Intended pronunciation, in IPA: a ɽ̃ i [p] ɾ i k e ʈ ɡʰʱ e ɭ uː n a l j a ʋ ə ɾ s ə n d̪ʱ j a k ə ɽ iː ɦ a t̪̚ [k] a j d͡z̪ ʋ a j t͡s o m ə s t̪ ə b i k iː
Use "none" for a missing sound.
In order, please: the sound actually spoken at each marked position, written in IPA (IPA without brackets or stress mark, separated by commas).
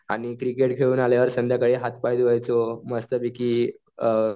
k, p